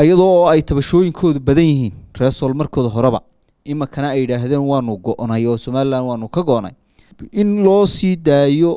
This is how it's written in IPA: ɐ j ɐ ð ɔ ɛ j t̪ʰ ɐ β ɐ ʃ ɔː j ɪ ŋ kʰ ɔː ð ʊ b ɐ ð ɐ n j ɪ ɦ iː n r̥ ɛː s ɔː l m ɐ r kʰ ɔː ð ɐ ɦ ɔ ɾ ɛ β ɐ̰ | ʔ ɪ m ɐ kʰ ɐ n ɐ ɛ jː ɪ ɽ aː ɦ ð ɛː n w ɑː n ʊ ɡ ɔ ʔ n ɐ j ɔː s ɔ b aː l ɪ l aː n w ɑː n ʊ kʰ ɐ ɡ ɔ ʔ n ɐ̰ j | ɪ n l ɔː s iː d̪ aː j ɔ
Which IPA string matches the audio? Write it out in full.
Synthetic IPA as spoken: ɐ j ɐ ð ɔ ɛ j t̪ʰ ɐ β ɐ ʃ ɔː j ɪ ŋ kʰ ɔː ð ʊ b ɐ ð ɐ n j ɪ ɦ iː n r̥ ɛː s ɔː l m ɐ r kʰ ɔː ð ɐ ɦ ɔ ɾ ɛ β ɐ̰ | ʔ ɪ m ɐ kʰ ɐ n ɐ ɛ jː ɪ ɽ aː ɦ ð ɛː n w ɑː n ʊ ɡ ɔ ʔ n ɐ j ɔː s ɔ m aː l ɪ l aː n w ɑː n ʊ kʰ ɐ ɡ ɔ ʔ n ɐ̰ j | ɪ n l ɔː s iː d̪ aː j ɔ